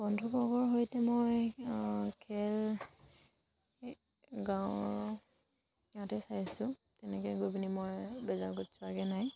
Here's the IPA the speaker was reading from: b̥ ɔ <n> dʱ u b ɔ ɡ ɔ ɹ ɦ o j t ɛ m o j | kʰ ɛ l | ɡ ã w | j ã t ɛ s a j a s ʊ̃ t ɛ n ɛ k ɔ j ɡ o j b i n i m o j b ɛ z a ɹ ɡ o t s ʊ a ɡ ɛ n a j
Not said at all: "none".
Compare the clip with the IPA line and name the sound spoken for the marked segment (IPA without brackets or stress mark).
n